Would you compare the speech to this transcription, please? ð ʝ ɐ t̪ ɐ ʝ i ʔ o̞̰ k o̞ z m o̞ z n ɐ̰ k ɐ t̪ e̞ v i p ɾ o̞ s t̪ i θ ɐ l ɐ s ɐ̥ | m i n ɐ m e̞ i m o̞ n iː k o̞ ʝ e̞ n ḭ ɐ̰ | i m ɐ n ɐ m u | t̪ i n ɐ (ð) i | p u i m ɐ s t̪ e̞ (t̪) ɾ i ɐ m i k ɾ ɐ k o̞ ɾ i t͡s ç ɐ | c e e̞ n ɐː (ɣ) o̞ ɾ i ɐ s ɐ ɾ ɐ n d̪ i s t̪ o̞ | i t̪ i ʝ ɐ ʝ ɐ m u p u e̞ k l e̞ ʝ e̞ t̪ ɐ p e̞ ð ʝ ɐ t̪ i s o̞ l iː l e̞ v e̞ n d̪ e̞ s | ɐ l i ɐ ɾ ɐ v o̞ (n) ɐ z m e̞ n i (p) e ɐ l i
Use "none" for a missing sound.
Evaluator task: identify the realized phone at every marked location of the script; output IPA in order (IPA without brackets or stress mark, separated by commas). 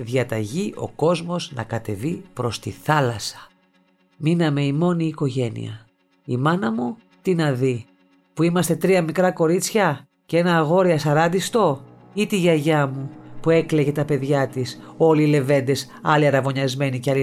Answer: ð, t̪, ɣ, ɲ, c